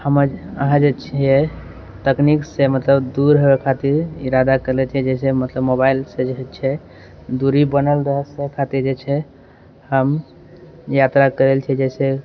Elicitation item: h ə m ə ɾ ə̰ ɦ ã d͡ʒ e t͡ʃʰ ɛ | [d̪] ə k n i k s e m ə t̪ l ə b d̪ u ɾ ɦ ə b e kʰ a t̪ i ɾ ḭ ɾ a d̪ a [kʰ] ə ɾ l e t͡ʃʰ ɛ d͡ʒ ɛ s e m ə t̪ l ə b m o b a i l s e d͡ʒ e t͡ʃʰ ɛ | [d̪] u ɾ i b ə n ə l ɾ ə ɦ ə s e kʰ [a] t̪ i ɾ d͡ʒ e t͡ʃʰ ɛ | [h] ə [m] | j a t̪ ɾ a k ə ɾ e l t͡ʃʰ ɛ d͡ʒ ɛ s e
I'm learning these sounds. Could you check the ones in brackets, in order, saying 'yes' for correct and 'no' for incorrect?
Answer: no, no, yes, yes, yes, yes

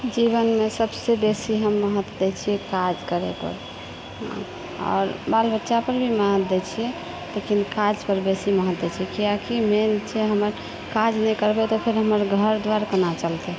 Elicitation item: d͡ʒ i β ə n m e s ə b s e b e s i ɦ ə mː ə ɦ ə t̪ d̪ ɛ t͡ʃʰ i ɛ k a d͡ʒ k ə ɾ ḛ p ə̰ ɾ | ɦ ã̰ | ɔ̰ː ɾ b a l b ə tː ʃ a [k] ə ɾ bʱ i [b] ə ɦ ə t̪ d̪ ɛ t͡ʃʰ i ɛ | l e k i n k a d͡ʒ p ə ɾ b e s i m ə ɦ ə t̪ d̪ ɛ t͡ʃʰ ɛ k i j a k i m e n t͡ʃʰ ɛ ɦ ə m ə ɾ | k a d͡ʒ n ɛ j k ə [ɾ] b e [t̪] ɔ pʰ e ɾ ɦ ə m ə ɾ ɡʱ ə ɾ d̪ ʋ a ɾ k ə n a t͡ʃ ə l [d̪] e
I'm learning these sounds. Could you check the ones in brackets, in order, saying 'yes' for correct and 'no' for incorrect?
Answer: no, no, yes, yes, no

